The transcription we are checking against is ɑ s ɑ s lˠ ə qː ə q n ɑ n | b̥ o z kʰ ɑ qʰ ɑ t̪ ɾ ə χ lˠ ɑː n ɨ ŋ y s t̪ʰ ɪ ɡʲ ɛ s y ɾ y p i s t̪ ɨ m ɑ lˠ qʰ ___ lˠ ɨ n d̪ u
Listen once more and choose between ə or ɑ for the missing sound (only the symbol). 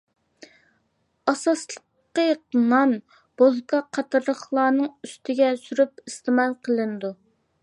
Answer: ə